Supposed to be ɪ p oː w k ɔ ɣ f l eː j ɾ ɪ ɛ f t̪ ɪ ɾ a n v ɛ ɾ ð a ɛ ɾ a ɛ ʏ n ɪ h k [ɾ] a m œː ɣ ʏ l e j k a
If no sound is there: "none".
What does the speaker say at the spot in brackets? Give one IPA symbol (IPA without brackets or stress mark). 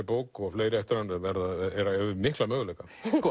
l